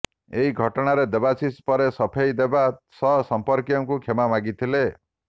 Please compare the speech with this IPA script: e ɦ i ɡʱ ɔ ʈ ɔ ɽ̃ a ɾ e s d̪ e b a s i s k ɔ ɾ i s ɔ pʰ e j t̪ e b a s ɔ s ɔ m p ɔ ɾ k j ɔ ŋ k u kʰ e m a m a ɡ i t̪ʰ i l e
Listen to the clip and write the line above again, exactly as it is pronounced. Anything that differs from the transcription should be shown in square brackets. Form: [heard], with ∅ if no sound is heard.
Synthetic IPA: e ɦ i ɡʱ ɔ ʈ ɔ ɽ̃ a ɾ e [∅] d̪ e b a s i s [p] ɔ ɾ [e] s ɔ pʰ e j [d̪] e b a s ɔ s ɔ m p ɔ ɾ k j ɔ ŋ k u kʰ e m a m a ɡ i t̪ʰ i l e